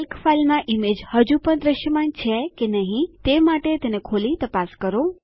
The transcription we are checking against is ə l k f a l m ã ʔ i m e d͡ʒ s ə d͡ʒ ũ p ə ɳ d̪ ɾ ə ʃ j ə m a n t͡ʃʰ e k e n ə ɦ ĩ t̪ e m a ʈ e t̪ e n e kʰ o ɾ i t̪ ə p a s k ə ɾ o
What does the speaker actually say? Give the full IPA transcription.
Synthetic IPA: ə l k f a l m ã ʔ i m e d͡ʒ h ə d͡ʒ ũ p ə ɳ d̪ ɾ ə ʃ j ə m a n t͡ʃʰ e k e n ə ɦ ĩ t̪ e m a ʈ e t̪ e n e kʰ o l i t̪ ə p a s k ə ɾ o